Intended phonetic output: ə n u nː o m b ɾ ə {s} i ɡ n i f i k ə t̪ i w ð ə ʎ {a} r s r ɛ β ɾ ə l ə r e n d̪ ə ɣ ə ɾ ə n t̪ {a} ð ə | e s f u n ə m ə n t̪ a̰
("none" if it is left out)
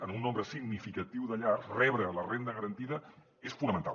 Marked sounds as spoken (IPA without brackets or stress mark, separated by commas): s, a, i